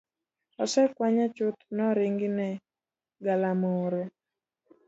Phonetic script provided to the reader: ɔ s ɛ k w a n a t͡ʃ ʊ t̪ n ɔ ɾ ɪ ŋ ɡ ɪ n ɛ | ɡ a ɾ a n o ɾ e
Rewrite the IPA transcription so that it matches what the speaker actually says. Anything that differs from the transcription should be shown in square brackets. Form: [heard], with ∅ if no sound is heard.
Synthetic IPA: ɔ s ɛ k w a [ɲ] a t͡ʃ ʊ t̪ n ɔ ɾ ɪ ŋ ɡ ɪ n ɛ | ɡ a [l] a [m] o ɾ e